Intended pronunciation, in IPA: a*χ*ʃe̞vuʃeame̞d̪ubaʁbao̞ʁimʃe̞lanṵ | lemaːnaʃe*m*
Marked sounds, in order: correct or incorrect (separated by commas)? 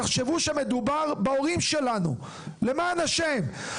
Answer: correct, correct